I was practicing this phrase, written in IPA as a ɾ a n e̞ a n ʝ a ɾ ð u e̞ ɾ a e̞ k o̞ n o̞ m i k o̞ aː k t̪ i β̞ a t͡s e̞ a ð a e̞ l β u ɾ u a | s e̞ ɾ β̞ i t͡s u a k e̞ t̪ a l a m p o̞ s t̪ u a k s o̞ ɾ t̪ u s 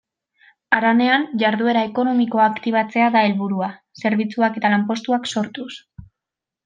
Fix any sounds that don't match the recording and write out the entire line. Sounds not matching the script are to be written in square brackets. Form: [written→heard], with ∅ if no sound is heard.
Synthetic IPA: a ɾ a n e̞ a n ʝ a ɾ ð u e̞ ɾ a e̞ k o̞ n o̞ m i k o̞ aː k t̪ i β̞ a t͡s e̞ a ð a e̞ l β u ɾ u a | s e̞ ɾ β̞ i t͡s u a k e̞ t̪ a l a m p o̞ s t̪ u a k s o̞ ɾ t̪ u s